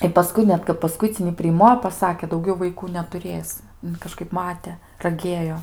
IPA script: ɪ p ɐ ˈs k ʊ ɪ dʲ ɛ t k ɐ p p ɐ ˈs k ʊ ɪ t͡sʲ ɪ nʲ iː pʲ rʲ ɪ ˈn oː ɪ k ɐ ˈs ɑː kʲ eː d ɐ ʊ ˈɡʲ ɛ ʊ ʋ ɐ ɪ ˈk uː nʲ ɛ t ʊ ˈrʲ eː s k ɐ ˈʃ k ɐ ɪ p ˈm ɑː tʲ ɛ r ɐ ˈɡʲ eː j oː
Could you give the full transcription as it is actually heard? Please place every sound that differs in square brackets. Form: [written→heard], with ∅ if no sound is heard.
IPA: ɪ p ɐ ˈs k ʊ ɪ [dʲ→nʲ] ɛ t k ɐ p p ɐ ˈs k ʊ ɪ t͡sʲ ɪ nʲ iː pʲ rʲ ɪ [ˈn→ˈm] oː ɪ [k→p] ɐ ˈs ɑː kʲ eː d ɐ ʊ ˈɡʲ ɛ ʊ ʋ ɐ ɪ ˈk uː nʲ ɛ t ʊ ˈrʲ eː s k ɐ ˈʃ k ɐ ɪ p ˈm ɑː tʲ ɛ r ɐ ˈɡʲ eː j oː